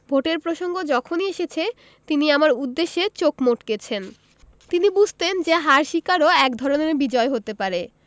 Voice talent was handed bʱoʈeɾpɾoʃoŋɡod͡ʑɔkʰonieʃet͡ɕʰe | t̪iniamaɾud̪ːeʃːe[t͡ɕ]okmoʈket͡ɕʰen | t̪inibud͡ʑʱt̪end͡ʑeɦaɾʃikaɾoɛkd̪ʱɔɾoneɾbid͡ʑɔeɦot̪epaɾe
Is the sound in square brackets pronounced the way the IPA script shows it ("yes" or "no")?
yes